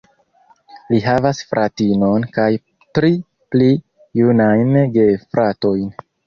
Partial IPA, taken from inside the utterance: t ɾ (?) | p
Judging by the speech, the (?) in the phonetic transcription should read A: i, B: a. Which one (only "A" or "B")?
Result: A